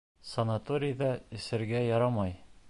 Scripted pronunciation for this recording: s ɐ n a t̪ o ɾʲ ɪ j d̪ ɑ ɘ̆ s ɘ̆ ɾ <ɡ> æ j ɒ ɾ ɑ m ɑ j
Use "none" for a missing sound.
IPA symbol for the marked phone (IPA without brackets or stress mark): ɡ